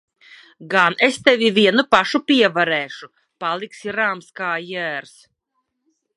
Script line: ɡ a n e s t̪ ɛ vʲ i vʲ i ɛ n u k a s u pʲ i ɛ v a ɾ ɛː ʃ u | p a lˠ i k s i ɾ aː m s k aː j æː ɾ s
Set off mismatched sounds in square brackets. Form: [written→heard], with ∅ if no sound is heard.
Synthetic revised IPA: ɡ a n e s t̪ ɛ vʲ i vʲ i ɛ n u [k→p] a [s→ʃ] u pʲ i ɛ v a ɾ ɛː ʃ u | p a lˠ i k s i ɾ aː m s k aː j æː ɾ s